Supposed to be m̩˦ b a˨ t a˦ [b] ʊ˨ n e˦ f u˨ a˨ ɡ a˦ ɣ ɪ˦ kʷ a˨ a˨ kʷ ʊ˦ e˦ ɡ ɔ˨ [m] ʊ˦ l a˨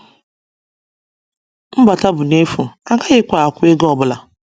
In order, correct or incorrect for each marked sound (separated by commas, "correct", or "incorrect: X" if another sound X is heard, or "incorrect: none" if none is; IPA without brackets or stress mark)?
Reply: correct, incorrect: b